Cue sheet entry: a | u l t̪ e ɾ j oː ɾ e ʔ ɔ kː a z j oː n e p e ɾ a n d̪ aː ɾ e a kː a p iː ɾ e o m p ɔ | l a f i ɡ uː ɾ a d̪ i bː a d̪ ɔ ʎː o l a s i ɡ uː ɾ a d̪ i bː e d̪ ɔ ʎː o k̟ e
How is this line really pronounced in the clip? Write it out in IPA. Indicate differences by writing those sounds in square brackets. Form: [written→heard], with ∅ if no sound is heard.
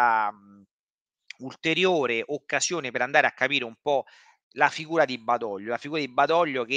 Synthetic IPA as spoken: a | u l t̪ e ɾ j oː ɾ e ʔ [ɔ→o] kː a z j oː n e p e ɾ a n d̪ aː ɾ e a kː a p iː ɾ e [o→u] m p ɔ | l a f i ɡ uː ɾ a d̪ i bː a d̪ ɔ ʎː o l a [s→f] i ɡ uː ɾ a d̪ i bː [e→a] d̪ ɔ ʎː o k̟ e

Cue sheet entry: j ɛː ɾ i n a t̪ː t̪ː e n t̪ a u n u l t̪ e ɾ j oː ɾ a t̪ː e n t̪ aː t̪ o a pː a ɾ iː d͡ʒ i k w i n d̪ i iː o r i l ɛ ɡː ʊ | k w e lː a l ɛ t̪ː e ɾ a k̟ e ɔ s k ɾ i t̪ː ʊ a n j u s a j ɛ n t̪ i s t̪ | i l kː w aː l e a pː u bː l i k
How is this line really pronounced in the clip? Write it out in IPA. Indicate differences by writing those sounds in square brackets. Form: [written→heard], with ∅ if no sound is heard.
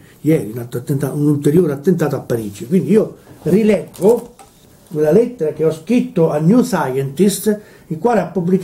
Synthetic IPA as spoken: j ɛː ɾ i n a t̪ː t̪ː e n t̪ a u n u l t̪ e ɾ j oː ɾ a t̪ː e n t̪ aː t̪ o a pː a ɾ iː d͡ʒ i k w i n d̪ i iː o r i l ɛ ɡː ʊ | k w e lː a l ɛ t̪ː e ɾ a k̟ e ɔ s k ɾ i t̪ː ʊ a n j u s a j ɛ n t̪ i s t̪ | i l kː w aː l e a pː u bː l i k

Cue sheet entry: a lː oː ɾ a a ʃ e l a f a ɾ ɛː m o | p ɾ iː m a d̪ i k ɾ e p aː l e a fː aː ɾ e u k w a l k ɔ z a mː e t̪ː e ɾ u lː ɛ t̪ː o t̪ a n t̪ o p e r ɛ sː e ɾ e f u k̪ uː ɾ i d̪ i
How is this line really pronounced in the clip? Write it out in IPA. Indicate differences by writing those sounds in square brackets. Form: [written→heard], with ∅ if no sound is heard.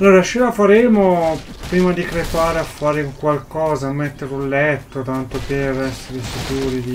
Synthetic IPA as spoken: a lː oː ɾ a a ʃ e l a f a ɾ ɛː m o | p ɾ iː m a d̪ i k ɾ e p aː [l→ɾ] e a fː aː ɾ e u k w a l k [ɔ→ɔː] z a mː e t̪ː e ɾ u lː ɛ t̪ː o t̪ a n t̪ o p e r ɛ sː e ɾ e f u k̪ uː ɾ i d̪ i

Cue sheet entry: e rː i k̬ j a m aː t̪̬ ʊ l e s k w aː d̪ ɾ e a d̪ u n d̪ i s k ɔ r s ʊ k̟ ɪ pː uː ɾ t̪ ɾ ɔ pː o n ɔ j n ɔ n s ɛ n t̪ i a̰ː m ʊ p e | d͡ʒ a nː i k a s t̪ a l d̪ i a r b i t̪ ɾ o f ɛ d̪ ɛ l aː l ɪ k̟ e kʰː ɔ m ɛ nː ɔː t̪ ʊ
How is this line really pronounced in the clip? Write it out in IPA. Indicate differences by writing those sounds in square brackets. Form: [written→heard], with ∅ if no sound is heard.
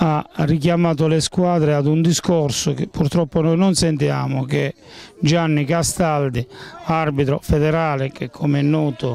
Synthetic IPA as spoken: [e→a] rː i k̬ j a m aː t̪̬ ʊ l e s k w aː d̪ ɾ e a d̪ u n d̪ i s k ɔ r s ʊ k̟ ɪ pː [uː→u] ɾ t̪ ɾ ɔ pː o n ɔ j n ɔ n s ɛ n t̪ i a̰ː m ʊ [p→k] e | d͡ʒ a nː i k a s t̪ a l d̪ i a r b i t̪ ɾ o f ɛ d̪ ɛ [l→ɾ] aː l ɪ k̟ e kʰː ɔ m ɛ nː ɔː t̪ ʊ

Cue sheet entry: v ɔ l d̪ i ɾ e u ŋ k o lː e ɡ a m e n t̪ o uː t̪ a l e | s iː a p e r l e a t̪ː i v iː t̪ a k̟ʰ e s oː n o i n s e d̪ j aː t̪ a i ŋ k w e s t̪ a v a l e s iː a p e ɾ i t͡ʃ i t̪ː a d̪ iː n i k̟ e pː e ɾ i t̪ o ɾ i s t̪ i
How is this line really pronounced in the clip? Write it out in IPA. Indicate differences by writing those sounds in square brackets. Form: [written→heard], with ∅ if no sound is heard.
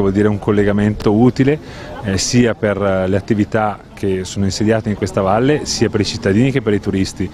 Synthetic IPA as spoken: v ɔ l d̪ [i→iː] ɾ e u ŋ k o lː e ɡ a m e n t̪ o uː t̪ [a→i] l e | s iː a p e r l e a t̪ː i v [iː→i] t̪ a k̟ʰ e s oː n o i n s e d̪ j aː t̪ [a→e] i ŋ k w e s t̪ a v a [l→lː] e s iː a p e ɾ i t͡ʃ i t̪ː a d̪ iː n i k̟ e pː e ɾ i t̪ [o→u] ɾ i s t̪ i

